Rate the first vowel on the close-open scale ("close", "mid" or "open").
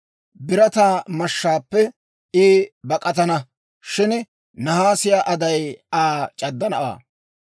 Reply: close